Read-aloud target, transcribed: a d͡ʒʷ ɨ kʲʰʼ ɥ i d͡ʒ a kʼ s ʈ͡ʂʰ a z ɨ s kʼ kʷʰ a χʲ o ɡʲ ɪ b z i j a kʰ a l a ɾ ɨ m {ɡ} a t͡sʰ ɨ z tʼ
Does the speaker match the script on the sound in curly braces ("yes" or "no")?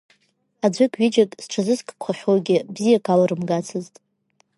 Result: yes